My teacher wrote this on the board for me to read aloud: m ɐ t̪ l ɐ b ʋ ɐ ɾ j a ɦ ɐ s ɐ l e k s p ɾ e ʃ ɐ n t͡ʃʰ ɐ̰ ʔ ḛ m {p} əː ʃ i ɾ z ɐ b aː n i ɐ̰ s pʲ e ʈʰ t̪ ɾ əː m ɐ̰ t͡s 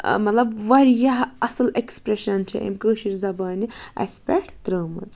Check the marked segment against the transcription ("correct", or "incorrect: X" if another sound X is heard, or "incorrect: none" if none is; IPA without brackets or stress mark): incorrect: k